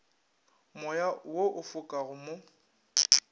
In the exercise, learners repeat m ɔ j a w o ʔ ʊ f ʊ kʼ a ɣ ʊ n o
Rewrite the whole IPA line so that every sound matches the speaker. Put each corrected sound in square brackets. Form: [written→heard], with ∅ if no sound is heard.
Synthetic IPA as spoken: m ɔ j a w o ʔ ʊ f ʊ kʼ a ɣ ʊ [n→m] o